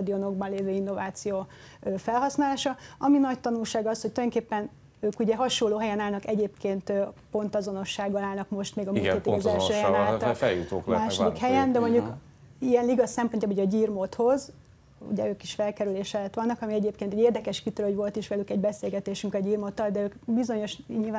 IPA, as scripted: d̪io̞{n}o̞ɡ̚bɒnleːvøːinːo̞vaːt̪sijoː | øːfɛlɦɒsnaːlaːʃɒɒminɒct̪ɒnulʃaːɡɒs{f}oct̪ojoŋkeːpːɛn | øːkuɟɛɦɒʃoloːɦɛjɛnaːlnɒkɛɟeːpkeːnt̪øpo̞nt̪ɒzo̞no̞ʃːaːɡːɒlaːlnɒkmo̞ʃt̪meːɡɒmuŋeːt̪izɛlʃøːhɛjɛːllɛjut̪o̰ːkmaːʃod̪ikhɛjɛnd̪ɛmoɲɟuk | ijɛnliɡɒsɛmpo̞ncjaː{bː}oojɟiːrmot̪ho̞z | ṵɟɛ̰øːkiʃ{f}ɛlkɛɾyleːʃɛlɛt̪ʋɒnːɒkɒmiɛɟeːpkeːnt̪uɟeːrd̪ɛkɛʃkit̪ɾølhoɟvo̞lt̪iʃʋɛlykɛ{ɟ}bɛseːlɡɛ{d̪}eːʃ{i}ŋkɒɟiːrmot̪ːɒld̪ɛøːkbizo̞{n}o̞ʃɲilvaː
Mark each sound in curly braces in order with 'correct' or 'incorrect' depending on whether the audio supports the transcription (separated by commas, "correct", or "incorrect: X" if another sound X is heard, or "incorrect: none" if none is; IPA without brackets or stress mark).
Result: correct, incorrect: h, incorrect: b, correct, correct, incorrect: t̪, incorrect: y, incorrect: ɲ